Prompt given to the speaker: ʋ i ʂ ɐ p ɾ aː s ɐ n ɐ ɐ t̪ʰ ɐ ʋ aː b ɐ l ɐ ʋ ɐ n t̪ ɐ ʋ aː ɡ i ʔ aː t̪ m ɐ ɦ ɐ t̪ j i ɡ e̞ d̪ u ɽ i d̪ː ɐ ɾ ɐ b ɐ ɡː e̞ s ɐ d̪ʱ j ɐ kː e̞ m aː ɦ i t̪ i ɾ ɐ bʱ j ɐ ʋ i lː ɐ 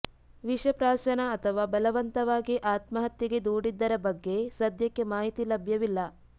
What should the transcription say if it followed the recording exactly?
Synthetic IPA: ʋ i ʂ ɐ p ɾ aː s ɐ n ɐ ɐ t̪ʰ ɐ ʋ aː b ɐ l ɐ ʋ ɐ n t̪ ɐ ʋ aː ɡ i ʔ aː t̪ m ɐ ɦ ɐ t̪ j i ɡ e̞ d̪ uː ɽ i d̪ː ɐ ɾ ɐ b ɐ ɡː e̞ s ɐ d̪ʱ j ɐ kː e̞ m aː ɦ i t̪ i l ɐ bʱ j ɐ ʋ i lː ɐ

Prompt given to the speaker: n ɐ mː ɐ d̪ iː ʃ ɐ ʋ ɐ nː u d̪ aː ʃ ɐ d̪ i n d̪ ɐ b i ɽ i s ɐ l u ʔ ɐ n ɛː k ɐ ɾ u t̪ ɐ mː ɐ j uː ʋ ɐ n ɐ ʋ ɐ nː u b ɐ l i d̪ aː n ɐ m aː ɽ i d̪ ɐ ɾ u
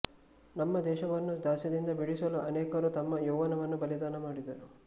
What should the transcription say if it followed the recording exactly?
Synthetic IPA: n ɐ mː ɐ d̪ ɛː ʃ ɐ ʋ ɐ nː u d̪ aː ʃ ɐ d̪ i n d̪ ɐ b i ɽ i s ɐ l u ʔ ɐ n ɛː k ɐ ɾ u t̪ ɐ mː ɐ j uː ʋ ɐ n ɐ ʋ ɐ nː u b ɐ l i d̪ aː n ɐ m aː ɽ i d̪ ɐ ɾ u

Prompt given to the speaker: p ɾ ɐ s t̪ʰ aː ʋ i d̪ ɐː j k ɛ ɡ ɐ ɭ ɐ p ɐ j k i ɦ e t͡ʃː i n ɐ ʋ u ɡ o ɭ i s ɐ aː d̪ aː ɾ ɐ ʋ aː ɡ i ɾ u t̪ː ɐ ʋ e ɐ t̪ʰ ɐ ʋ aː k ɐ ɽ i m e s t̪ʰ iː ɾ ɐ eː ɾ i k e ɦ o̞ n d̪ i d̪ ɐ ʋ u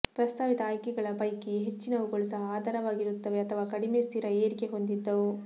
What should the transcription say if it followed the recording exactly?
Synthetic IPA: p ɾ ɐ s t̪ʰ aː ʋ i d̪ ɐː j k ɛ ɡ ɐ ɭ ɐ p ɐ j k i ɦ e t͡ʃː i n ɐ ʋ u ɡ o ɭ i s ɐ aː d̪ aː ɾ ɐ ʋ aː ɡ i ɾ u t̪ː ɐ ʋ e ɐ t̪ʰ ɐ ʋ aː k ɐ ɽ i m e s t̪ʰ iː ɾ ɐ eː ɾ i k e ɦ o̞ n d̪ i d̪ː ɐ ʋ u

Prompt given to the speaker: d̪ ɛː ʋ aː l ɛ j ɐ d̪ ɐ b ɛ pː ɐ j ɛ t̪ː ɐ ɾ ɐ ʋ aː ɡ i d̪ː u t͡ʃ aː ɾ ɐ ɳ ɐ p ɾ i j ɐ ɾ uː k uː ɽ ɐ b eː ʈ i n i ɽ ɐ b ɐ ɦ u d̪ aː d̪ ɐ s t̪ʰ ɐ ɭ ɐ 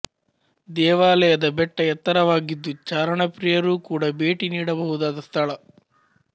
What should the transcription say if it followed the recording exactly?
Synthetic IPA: d̪ ɛː ʋ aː l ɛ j ɐ d̪ ɐ b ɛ ʈː ɐ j ɛ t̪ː ɐ ɾ ɐ ʋ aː ɡ i d̪ː u t͡ʃ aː ɾ ɐ ɳ ɐ p ɾ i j ɐ ɾ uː k uː ɽ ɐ b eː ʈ i n iː ɽ ɐ b ɐ ɦ u d̪ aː d̪ ɐ s t̪ʰ ɐ ɭ ɐ

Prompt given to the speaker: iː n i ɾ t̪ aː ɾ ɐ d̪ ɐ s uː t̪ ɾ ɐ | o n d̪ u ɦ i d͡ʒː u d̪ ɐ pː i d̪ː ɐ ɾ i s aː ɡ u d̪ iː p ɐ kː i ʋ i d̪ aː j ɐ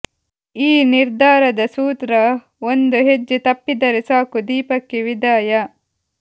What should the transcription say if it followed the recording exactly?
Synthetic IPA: iː n i ɾ d̪ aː ɾ ɐ d̪ ɐ s uː t̪ ɾ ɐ | o n d̪ u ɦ e d͡ʒː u t̪ ɐ pː i d̪ ɐ ɾ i s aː k u d̪ iː p ɐ kː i ʋ i d̪ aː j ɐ

